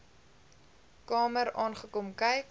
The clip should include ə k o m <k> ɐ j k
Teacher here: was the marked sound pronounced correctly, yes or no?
yes